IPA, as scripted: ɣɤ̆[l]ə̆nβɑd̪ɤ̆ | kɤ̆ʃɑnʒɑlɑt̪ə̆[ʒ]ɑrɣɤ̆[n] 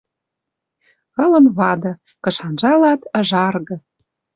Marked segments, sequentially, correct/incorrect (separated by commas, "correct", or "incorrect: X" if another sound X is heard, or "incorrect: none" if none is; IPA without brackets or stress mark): correct, correct, incorrect: none